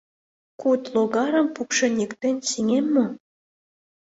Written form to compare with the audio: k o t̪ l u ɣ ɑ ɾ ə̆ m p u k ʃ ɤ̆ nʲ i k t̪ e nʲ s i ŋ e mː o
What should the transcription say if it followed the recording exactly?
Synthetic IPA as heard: k u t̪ l o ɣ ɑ ɾ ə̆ m p u k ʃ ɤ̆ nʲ i k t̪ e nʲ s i ŋ e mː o

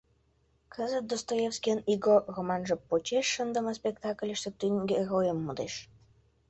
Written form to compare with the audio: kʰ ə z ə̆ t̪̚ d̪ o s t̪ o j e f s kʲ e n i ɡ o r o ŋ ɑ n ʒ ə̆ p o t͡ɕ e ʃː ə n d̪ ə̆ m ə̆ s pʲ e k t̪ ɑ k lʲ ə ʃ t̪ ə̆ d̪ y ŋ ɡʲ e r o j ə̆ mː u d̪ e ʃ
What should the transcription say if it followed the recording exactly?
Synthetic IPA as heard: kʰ ə z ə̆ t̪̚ d̪ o s t̪ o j e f s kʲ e n i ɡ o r o m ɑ n ʒ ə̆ p o t͡ɕ e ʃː ə n d̪ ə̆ m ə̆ s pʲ e k t̪ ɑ k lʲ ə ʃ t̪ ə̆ t̪ y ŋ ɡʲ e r o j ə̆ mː u d̪ e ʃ

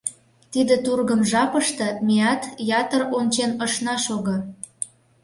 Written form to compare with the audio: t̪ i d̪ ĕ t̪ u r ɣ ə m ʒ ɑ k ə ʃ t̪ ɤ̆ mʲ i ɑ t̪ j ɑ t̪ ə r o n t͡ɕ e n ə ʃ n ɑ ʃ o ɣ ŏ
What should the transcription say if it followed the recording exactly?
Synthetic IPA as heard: t̪ i d̪ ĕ t̪ u r ɣ ə m ʒ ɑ p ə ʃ t̪ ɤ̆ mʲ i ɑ t̪ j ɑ t̪ ə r o n t͡ɕ e n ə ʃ n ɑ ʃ o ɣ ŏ

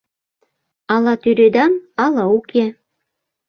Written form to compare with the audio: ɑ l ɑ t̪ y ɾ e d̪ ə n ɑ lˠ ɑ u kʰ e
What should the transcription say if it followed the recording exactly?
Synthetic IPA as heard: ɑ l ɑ t̪ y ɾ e d̪ ɑ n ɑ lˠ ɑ u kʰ e

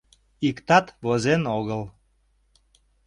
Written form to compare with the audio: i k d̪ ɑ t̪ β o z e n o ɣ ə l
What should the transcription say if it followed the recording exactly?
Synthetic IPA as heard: i k t̪ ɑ t̪ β o z e n o ɣ ə l

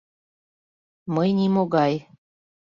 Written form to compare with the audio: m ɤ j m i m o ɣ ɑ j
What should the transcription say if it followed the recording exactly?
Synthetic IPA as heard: m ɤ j n i m o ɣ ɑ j

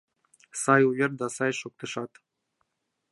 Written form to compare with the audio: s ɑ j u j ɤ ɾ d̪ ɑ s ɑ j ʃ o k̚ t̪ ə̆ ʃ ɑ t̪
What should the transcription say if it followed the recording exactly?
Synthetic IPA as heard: s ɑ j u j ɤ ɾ d̪ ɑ s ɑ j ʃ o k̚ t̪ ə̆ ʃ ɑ t̪

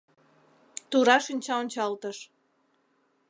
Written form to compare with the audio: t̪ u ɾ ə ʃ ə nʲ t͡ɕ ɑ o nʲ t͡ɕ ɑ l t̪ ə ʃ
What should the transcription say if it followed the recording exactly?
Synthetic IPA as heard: t̪ u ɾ ɑ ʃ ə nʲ t͡ɕ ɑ o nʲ t͡ɕ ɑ l t̪ ə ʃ

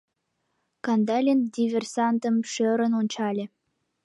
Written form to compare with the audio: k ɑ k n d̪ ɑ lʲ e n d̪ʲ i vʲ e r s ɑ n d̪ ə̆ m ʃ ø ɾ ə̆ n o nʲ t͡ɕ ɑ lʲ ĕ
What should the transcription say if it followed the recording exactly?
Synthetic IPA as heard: k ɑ n d̪ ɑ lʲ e n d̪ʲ i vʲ e r s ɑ n t̪ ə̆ m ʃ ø ɾ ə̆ n o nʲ t͡ɕ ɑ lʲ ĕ

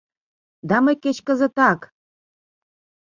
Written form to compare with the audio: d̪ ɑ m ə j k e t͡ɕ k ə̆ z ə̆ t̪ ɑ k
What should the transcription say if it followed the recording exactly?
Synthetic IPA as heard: d̪ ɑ m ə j k e t͡ɕ k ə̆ z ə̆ t̪ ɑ k

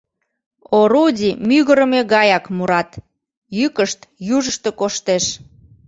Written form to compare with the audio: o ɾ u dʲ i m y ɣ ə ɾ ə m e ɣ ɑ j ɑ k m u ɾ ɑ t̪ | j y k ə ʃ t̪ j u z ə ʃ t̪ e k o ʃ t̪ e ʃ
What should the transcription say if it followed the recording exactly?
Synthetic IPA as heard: o ɾ u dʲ i m y ɣ ə ɾ ə m e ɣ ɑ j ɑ k m u ɾ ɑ t̪ | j y k ə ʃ t̪ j u ʒ ə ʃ t̪ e k o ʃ t̪ e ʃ

